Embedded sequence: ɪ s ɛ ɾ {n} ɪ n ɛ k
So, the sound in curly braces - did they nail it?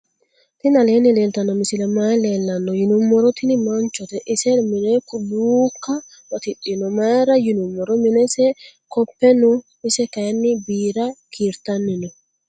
no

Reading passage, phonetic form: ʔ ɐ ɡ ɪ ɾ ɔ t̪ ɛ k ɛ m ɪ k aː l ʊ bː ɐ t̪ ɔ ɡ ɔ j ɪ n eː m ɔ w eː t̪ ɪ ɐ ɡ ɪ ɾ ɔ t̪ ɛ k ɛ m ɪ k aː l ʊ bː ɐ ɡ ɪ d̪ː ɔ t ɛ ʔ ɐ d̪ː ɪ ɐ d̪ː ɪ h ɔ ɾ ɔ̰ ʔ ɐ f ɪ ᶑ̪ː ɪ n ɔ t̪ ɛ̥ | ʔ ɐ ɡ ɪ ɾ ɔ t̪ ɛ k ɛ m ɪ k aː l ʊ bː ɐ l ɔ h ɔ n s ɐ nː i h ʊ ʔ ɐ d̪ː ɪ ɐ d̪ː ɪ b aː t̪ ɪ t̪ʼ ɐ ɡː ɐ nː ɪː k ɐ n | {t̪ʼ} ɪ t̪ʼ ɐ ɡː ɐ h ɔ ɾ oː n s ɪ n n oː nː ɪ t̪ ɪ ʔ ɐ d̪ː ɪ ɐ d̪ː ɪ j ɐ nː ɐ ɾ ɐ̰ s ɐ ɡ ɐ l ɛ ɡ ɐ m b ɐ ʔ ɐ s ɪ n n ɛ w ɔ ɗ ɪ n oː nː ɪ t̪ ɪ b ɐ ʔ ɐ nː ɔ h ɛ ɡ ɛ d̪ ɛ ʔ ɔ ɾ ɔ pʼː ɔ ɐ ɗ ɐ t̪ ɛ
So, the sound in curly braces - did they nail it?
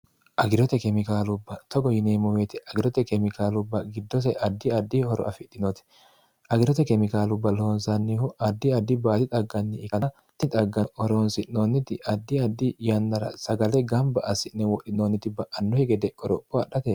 no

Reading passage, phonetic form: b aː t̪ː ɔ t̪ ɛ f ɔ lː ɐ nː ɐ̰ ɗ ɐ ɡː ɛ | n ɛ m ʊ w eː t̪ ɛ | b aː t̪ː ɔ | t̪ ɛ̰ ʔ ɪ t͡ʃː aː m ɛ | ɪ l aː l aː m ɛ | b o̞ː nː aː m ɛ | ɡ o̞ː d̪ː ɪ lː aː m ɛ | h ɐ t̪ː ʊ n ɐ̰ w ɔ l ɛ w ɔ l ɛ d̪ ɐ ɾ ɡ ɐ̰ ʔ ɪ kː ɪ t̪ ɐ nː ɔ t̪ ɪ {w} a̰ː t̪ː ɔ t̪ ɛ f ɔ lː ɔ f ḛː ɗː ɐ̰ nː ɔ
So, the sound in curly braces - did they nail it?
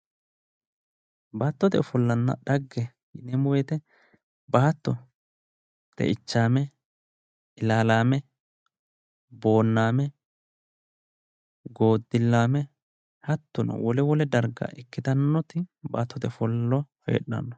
no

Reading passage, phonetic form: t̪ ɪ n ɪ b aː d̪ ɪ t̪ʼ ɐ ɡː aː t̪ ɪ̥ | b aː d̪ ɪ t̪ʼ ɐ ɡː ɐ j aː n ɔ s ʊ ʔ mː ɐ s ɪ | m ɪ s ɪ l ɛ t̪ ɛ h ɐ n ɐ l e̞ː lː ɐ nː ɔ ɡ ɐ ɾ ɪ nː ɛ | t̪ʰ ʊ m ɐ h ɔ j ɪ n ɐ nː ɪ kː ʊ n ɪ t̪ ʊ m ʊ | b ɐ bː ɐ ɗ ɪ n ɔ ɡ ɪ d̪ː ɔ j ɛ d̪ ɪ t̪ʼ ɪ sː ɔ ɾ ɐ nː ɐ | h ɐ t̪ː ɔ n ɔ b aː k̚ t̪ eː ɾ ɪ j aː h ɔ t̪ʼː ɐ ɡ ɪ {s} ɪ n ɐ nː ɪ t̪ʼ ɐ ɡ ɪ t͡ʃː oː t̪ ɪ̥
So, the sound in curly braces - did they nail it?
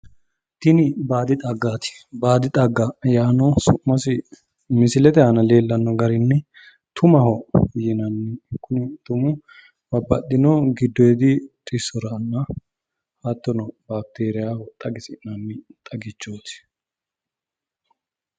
yes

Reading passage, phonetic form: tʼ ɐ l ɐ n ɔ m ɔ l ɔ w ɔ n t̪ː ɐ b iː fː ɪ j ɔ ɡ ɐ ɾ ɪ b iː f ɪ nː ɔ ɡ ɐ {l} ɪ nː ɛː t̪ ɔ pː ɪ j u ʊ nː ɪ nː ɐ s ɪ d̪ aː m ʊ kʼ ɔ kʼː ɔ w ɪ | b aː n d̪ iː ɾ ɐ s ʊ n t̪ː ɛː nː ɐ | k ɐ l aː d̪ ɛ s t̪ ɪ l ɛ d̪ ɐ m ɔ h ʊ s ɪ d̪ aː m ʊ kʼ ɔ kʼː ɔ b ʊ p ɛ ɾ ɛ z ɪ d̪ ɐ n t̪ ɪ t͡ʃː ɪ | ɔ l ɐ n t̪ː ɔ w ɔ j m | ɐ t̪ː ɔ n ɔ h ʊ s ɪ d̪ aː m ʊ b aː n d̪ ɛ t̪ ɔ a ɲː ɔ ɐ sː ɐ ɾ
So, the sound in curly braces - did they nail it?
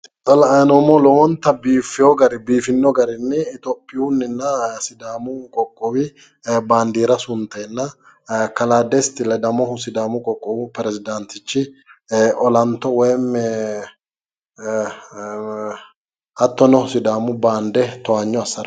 no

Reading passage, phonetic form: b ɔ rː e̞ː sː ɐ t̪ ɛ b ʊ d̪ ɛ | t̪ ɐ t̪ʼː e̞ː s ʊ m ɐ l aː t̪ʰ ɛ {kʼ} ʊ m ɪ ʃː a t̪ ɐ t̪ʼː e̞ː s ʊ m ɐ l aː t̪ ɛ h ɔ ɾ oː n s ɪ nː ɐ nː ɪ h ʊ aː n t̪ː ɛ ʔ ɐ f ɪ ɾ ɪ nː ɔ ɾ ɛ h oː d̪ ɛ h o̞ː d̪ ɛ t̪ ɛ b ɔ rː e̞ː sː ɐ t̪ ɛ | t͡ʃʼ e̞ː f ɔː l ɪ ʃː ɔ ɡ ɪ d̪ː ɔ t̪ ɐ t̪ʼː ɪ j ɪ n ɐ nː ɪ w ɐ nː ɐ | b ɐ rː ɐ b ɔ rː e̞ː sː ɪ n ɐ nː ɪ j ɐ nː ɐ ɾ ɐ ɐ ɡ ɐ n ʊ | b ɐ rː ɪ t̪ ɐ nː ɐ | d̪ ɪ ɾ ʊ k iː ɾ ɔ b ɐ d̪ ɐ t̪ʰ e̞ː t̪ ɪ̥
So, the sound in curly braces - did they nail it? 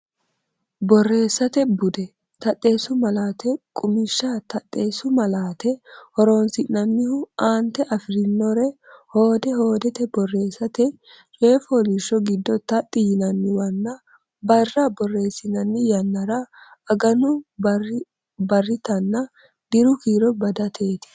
yes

